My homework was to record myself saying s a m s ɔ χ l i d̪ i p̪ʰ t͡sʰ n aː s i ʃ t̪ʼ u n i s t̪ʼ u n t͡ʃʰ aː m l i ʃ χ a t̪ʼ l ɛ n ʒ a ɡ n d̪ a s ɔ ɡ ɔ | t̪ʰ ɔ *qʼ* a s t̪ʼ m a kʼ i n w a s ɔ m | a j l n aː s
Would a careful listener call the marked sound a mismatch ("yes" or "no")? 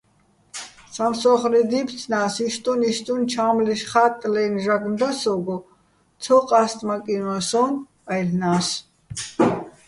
no